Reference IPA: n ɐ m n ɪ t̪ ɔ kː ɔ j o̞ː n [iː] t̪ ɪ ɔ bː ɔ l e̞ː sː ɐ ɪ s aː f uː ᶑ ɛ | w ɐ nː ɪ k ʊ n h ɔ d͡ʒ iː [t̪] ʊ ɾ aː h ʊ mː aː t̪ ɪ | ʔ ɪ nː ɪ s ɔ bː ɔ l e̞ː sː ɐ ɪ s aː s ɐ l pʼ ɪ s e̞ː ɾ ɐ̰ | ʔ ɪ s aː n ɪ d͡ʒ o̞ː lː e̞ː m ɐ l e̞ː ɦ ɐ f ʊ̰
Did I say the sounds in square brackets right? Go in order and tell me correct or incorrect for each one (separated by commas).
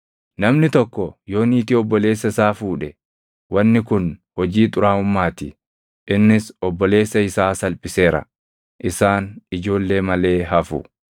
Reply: correct, incorrect